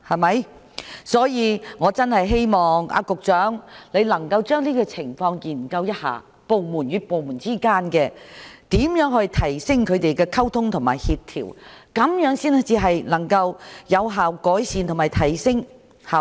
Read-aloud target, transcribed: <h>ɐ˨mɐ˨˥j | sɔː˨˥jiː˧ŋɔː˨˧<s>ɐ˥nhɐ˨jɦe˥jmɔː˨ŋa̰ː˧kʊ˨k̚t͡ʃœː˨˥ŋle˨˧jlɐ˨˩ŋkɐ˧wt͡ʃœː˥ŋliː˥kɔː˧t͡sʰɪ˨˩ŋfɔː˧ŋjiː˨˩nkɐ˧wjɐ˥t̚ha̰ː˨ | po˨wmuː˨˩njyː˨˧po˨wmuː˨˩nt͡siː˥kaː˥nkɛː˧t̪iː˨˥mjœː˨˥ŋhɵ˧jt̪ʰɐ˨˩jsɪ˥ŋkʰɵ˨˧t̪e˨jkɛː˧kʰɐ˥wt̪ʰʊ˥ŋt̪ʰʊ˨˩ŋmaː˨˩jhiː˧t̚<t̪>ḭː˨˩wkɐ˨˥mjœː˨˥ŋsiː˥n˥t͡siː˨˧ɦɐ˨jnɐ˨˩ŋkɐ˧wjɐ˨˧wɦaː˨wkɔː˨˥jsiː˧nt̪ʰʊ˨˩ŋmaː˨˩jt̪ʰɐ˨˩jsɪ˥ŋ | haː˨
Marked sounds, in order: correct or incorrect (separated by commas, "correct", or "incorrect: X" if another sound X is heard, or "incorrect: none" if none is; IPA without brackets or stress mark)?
correct, incorrect: t͡s, incorrect: t̪ʰ